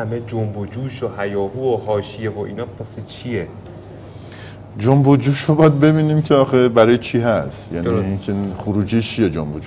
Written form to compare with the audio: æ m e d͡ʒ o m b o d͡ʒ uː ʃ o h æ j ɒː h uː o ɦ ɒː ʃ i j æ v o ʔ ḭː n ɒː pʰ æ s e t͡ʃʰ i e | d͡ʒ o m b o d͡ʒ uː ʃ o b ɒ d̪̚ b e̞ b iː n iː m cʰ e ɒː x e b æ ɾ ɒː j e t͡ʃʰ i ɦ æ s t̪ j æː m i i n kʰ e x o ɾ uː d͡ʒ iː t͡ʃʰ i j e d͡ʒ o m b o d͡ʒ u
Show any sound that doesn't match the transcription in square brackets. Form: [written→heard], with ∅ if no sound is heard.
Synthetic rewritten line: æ m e d͡ʒ o m b o d͡ʒ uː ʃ o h æ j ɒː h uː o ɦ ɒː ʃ i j [æ→e] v o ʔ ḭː n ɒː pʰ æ s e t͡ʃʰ i e | d͡ʒ o m b o d͡ʒ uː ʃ o b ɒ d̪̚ b e̞ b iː n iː m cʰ e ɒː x e b æ ɾ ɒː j e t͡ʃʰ i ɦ æ s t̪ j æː [m→n] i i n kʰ e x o ɾ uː d͡ʒ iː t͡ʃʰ i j e d͡ʒ o m b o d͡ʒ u